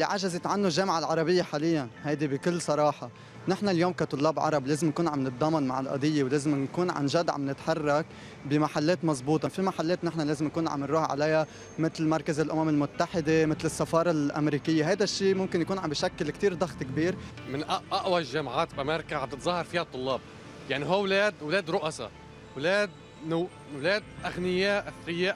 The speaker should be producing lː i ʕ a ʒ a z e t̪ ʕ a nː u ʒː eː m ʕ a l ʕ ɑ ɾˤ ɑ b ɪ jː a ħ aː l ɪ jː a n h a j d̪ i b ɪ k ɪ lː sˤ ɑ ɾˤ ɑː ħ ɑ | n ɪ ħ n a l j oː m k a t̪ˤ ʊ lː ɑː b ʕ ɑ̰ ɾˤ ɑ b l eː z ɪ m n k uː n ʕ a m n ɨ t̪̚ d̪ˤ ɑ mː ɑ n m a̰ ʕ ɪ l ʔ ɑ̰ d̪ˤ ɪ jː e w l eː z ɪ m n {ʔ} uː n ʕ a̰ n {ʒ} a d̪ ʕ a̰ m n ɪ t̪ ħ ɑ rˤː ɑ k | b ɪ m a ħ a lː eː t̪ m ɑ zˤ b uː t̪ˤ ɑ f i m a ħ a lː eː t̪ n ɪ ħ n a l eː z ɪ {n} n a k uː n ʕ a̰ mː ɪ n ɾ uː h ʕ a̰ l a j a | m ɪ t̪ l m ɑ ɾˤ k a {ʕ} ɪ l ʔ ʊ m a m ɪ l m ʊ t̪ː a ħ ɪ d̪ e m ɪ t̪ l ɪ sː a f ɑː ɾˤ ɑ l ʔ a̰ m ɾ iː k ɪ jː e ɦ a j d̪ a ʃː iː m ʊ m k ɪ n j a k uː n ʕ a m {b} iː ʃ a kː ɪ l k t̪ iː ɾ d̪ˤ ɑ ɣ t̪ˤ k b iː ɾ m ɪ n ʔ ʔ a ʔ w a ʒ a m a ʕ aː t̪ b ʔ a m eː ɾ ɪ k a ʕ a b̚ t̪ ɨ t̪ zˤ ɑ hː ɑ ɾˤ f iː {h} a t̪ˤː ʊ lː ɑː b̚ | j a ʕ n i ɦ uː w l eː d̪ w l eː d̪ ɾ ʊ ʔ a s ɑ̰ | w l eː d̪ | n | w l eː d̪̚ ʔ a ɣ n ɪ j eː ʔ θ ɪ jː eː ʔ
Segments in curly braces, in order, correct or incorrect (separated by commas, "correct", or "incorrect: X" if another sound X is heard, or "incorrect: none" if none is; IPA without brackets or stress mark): incorrect: k, correct, incorrect: m, incorrect: z, correct, correct